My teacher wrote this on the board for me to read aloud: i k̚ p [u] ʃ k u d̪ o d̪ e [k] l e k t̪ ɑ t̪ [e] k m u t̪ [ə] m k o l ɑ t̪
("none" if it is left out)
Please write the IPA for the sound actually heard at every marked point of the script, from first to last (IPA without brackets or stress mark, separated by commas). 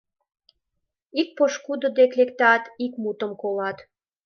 o, k, i, ə